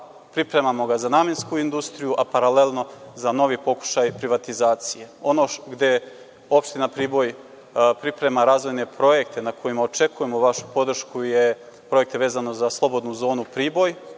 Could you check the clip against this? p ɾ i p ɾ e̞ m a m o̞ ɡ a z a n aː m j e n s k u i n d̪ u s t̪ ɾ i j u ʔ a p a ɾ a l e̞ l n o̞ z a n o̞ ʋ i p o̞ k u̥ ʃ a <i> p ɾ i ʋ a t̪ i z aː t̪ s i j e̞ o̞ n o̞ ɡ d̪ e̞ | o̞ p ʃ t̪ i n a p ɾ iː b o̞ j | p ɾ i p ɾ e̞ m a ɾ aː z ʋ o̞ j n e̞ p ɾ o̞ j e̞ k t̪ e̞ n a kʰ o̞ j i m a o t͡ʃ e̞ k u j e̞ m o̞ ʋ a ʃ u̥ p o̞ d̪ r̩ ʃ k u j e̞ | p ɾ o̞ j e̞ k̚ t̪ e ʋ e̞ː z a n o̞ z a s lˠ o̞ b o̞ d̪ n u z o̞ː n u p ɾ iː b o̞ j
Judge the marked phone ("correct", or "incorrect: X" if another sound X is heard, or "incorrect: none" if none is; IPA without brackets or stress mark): incorrect: j